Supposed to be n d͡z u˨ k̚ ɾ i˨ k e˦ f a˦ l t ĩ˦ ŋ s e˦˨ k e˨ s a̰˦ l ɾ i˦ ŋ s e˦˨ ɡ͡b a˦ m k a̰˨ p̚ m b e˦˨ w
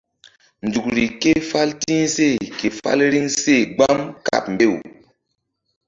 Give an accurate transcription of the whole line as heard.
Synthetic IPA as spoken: n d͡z u˨ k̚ ɾ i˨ k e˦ f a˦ l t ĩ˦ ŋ s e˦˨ k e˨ f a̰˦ l ɾ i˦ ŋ s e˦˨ ɡ͡b a˦ m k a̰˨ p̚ m b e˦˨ w